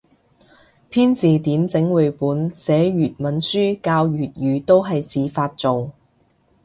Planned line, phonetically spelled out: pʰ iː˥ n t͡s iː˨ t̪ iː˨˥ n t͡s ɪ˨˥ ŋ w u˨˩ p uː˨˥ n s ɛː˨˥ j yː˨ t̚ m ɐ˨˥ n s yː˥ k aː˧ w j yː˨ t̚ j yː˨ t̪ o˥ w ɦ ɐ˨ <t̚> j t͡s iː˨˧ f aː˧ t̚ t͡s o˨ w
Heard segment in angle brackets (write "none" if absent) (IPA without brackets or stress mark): none